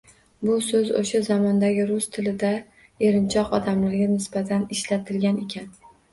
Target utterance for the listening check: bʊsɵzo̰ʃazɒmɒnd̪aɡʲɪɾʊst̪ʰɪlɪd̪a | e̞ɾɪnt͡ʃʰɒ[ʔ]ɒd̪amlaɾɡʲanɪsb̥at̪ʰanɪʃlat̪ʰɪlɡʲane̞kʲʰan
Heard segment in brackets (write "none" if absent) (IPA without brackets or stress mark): q